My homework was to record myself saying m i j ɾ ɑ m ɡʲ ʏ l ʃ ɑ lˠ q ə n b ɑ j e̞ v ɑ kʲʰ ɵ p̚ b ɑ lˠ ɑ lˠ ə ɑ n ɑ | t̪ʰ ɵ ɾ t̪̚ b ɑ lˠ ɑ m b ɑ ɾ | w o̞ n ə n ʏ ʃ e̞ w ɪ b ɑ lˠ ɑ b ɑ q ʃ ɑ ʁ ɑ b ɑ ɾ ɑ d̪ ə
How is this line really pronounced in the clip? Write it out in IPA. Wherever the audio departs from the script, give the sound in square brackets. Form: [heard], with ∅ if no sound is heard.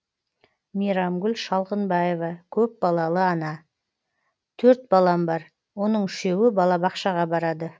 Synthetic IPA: m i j ɾ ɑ m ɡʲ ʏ l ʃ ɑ lˠ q ə n b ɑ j e̞ v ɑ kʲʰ ɵ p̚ b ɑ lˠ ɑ lˠ ə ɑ n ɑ | t̪ʰ ɵ ɾ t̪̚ b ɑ lˠ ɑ m b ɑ ɾ | w o̞ n ə [ɴ] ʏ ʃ e̞ w ɪ b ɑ lˠ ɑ b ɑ q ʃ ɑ ʁ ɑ b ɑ ɾ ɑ d̪ ə